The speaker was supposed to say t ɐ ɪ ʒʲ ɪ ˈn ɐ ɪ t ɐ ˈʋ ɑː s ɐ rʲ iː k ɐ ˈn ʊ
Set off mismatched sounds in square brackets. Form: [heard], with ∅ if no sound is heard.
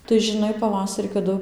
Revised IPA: t ɐ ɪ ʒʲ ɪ ˈn ɐ ɪ [p] ɐ ˈʋ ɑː s ɐ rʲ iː k ɐ [ˈd] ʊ

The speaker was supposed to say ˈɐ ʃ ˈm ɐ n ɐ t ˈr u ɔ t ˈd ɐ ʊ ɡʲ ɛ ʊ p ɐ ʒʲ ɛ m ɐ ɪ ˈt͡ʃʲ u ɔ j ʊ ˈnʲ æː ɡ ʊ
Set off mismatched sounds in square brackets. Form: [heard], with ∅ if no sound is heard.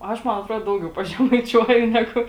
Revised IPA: ˈɐ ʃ ˈm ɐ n ɐ t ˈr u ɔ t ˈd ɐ ʊ ɡʲ ɛ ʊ p ɐ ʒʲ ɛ m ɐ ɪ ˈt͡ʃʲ u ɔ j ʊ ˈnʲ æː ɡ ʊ

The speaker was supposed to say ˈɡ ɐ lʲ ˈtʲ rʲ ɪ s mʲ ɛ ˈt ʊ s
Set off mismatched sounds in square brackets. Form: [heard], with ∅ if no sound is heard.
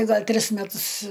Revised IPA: ˈɡ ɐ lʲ ˈtʲ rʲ ɪ s mʲ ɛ ˈt ʊ s

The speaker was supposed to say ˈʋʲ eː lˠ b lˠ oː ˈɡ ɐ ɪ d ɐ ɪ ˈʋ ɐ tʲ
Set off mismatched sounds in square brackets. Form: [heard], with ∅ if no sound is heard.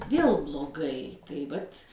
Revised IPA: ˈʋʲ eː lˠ b lˠ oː ˈɡ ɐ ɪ [t] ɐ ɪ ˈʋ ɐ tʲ

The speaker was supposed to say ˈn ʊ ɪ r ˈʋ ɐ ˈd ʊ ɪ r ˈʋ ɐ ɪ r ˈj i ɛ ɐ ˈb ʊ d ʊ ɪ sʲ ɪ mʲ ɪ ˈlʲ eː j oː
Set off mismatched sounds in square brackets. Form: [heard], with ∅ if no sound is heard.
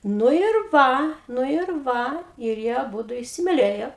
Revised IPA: ˈn ʊ ɪ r ˈʋ ɐ [ˈn] ʊ ɪ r ˈʋ ɐ ɪ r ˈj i ɛ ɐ ˈb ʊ d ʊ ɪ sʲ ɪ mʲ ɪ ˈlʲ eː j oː

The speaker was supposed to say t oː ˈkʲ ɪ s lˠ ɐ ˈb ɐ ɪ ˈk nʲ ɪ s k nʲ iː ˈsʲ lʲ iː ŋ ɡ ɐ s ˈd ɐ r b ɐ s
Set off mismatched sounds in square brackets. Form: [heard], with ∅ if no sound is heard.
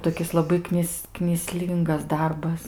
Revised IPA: t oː ˈkʲ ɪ s lˠ ɐ ˈb ɐ ɪ ˈk nʲ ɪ s k nʲ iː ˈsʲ lʲ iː ŋ ɡ ɐ s ˈd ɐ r b ɐ s

